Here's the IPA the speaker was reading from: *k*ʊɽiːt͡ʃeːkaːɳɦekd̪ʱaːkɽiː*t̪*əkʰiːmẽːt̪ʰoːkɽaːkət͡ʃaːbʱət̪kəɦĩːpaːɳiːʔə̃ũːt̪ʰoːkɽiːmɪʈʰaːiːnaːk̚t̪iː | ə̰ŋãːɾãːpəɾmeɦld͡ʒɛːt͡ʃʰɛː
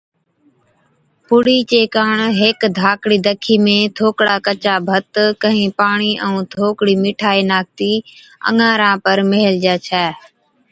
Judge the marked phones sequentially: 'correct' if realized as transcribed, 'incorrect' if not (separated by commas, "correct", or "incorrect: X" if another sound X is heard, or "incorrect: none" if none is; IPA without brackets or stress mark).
incorrect: p, incorrect: d̪